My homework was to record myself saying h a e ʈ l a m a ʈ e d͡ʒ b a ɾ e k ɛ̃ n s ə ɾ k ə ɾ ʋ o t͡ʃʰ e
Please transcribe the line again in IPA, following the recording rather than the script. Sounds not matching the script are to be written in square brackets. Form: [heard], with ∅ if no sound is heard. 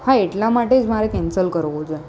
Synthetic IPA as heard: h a e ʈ l a m a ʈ e d͡ʒ [m] a ɾ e k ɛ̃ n s ə [l] k ə ɾ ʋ o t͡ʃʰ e